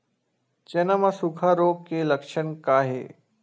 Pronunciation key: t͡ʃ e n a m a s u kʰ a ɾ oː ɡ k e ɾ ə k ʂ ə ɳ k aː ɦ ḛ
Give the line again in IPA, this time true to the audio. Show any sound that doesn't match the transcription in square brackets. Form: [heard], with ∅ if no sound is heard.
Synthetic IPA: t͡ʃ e n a m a s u kʰ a ɾ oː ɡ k e [l] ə k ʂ ə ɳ k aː ɦ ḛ